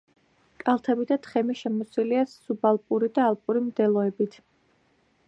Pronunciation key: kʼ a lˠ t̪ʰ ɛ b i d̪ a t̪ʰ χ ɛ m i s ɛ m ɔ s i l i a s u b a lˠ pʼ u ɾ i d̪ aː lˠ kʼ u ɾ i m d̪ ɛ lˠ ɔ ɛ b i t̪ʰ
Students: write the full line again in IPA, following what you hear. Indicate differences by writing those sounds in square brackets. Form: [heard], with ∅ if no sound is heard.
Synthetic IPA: kʼ a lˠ t̪ʰ ɛ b i d̪ a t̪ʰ χ ɛ m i [ʃ] ɛ m ɔ s i l i a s u b a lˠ pʼ u ɾ i d̪ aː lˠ [pʼ] u ɾ i m d̪ ɛ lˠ ɔ ɛ b i t̪ʰ